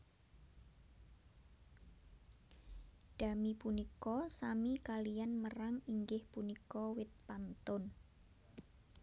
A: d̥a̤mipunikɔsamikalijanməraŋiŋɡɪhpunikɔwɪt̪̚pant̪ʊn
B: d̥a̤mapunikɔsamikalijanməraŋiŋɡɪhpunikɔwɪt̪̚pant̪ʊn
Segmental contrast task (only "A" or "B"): A